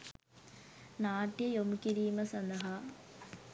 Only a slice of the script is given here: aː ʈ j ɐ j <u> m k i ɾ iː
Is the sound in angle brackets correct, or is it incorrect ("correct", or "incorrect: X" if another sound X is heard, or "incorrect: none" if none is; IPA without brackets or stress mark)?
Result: incorrect: o